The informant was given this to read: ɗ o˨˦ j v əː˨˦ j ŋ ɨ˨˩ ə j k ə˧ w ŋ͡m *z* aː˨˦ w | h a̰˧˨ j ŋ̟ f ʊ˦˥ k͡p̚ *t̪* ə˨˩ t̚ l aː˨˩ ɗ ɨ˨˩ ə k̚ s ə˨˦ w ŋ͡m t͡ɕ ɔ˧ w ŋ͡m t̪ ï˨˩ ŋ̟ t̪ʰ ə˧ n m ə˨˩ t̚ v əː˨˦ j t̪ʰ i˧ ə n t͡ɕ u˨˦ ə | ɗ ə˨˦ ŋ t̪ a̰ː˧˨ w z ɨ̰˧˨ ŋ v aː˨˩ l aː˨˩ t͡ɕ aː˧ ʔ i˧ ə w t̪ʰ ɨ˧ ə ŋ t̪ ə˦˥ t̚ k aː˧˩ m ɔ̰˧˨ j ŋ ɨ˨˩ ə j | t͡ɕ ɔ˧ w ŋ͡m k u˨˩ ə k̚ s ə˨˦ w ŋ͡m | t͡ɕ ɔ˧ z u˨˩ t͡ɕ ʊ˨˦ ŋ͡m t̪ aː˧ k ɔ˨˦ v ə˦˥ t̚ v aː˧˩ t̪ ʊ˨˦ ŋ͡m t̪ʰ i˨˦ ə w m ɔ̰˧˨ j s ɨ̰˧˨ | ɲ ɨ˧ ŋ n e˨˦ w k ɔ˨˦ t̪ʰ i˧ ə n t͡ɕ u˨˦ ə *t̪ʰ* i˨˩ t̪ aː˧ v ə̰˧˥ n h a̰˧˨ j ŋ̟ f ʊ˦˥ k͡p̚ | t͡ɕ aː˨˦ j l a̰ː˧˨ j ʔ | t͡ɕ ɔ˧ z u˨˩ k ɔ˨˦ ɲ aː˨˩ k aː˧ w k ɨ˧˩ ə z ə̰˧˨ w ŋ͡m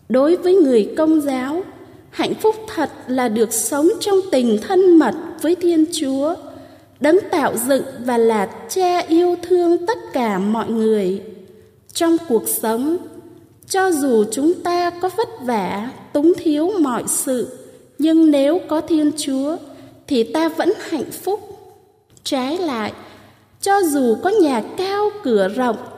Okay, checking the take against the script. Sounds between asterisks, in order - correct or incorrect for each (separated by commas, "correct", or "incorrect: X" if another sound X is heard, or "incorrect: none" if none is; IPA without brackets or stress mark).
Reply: correct, incorrect: t̪ʰ, correct